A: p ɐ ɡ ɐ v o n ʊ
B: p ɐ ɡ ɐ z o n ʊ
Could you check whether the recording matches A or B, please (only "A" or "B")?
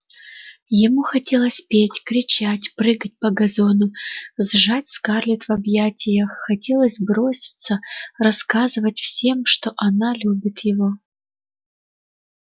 B